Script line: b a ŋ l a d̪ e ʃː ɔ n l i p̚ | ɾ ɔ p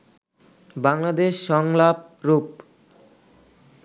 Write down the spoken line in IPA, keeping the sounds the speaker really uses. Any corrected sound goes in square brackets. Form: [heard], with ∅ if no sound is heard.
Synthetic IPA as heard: b a ŋ l a d̪ e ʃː ɔ [ŋ] l [a] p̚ | ɾ [u] p